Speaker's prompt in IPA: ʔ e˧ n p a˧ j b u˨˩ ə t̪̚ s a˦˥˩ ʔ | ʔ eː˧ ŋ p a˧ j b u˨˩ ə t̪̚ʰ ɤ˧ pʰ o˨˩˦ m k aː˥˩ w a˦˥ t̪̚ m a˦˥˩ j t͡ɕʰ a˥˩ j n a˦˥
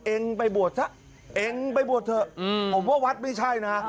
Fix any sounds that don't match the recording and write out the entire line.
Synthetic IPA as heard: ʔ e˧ ŋ p a˧ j b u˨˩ ə t̪̚ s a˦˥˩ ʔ | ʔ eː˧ ŋ p a˧ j b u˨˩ ə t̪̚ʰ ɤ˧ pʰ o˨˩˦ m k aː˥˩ w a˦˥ t̪̚ m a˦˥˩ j t͡ɕʰ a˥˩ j n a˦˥